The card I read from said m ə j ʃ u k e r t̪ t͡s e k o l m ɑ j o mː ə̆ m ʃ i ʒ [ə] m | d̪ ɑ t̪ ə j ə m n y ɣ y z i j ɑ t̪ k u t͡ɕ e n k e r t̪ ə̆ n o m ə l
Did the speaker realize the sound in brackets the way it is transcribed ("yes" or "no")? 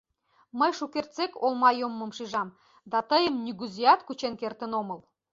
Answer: no